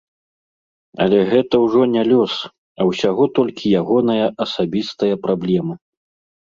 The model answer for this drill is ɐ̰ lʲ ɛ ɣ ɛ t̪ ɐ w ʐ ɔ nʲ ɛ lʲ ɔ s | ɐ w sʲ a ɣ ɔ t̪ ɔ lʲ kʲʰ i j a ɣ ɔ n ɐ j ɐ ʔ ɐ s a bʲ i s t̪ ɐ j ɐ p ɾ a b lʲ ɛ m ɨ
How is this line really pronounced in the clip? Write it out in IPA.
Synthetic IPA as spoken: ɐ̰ lʲ ɛ ɣ ɛ t̪ ɐ w ʐ ɔ nʲ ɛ lʲ ɔ s | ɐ w sʲ a ɣ ɔ t̪ ɔ lʲ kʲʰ i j a ɣ ɔ n ɐ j ɐ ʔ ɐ s a bʲ i s t̪ ɐ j ɐ p ɾ a b lʲ ɛ m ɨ

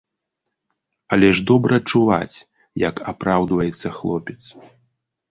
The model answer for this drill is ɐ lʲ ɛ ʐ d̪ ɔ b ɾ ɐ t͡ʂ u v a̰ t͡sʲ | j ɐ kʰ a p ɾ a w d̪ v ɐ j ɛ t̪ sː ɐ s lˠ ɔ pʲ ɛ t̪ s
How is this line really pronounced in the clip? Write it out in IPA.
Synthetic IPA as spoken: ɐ lʲ ɛ ʐ d̪ ɔ b ɾ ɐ t͡ʂ u v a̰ t͡sʲ | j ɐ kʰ a p ɾ a w d̪ v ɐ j ɛ t̪ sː ɐ x lˠ ɔ pʲ ɛ t̪ s

